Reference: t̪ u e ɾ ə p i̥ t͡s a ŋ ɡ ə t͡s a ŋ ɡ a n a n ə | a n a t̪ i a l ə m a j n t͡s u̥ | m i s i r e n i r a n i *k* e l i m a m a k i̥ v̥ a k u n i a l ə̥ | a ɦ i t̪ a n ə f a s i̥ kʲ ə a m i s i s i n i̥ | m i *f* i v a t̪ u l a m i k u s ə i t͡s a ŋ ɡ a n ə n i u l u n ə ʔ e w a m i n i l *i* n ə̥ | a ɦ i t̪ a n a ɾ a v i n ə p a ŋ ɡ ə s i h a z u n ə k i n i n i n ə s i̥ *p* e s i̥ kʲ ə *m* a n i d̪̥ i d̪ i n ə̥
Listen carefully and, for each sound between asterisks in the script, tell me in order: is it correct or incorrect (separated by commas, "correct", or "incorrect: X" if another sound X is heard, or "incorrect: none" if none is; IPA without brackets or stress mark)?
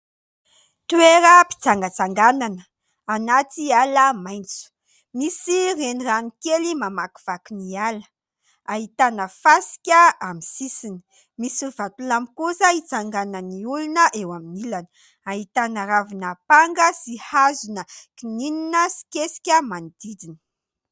correct, incorrect: s, incorrect: a, incorrect: k, correct